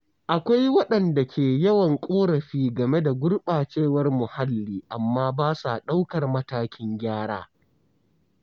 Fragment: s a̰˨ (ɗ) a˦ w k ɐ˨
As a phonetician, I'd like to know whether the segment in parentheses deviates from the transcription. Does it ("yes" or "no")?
no